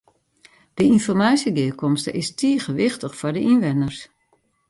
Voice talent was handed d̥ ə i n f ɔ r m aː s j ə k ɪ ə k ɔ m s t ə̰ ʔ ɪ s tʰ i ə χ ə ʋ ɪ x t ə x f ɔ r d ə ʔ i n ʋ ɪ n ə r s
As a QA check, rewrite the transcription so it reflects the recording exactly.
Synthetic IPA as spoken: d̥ ə i n f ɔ r m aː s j ə ɡ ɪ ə k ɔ m s t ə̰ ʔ ɪ s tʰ i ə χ ə ʋ ɪ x t ə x f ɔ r d ə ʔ i n ʋ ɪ n ə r s